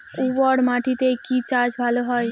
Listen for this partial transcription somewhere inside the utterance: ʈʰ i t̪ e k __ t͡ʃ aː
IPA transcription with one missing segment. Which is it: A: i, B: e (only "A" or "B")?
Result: A